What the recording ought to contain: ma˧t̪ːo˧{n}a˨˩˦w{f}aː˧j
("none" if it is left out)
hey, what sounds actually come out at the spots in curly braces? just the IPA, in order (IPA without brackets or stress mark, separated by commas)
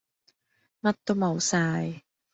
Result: m, s